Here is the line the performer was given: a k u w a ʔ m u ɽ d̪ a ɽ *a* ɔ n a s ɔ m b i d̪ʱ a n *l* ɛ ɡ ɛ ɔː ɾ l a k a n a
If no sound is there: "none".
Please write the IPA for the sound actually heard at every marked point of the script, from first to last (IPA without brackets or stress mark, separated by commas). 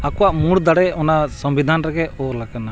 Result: ɛ, ɾ